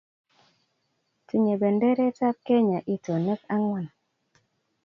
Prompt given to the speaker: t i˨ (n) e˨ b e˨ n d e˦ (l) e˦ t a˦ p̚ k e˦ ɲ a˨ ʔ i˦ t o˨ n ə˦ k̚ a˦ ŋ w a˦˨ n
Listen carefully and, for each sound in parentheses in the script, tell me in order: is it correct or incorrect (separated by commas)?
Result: incorrect, incorrect